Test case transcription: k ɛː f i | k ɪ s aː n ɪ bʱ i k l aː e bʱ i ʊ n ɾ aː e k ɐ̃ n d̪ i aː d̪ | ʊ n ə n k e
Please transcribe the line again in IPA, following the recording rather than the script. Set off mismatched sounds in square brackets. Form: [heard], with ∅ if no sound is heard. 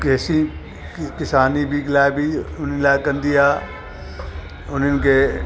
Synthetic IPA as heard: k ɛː [s] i | k ɪ s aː n [i] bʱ i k l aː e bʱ i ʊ n [l] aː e k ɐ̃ n d̪ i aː [∅] | ʊ n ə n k e